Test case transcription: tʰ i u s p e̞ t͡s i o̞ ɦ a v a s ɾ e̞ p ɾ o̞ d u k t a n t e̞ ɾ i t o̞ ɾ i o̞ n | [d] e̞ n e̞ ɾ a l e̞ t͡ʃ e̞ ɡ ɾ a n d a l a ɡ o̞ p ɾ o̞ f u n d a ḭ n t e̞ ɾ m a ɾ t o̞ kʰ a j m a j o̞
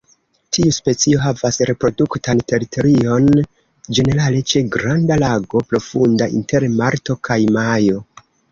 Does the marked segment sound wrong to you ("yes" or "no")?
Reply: yes